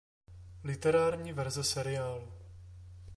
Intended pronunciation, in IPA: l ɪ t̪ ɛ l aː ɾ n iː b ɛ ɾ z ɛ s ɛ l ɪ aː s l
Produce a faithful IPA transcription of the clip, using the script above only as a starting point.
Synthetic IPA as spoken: l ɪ t̪ ɛ ɾ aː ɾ ɲ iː v ɛ ɾ z ɛ s ɛ ɾ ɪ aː l